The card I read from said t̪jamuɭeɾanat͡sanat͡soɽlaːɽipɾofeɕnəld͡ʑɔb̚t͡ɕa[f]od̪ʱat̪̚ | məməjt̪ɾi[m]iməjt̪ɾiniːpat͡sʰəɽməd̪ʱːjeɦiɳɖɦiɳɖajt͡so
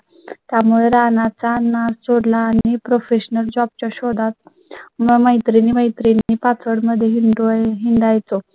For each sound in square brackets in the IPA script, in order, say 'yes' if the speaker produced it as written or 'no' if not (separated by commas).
no, no